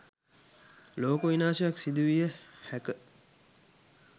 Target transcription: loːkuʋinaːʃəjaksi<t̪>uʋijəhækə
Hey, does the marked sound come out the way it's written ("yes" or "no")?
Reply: no